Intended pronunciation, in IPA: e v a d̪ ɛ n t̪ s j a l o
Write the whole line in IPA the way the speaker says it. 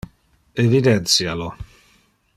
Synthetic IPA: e v i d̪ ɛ n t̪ s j a l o